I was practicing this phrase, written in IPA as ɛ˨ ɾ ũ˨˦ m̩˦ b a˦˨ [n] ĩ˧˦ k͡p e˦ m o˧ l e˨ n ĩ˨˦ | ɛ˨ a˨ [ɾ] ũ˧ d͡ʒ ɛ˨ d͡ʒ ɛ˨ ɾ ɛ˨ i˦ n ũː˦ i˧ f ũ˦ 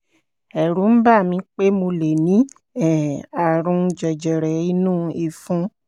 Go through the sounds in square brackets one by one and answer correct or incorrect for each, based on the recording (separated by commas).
incorrect, correct